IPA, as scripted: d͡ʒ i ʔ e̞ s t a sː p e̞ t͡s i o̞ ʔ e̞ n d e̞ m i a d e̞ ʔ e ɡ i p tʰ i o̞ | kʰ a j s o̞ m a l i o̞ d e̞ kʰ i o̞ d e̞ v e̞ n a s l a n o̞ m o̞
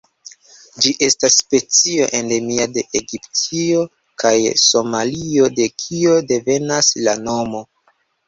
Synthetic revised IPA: d͡ʒ i ʔ e̞ s t a sː p e̞ t͡s i o̞ ʔ e̞ n d e̞ m i a d e̞ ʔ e ɡ i p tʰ i o̞ | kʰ a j s o̞ m a l i o̞ d e̞ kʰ i o̞ d e̞ v e̞ n a s l a n o̞ m o̞